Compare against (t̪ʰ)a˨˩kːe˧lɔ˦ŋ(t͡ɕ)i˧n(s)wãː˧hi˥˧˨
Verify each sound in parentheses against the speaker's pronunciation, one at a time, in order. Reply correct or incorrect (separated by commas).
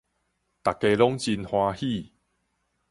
incorrect, correct, incorrect